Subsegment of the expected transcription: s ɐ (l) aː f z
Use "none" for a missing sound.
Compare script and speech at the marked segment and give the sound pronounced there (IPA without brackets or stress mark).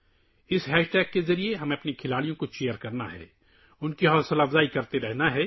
l